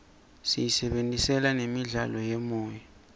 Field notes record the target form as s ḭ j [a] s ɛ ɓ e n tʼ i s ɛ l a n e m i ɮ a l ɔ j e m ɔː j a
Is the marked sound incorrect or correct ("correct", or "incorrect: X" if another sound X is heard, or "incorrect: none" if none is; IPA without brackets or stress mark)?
incorrect: i